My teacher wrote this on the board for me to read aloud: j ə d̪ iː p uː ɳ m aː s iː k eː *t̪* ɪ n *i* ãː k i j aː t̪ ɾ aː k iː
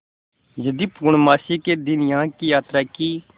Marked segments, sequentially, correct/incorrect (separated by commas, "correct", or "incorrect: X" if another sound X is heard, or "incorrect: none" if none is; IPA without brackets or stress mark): incorrect: d̪, incorrect: j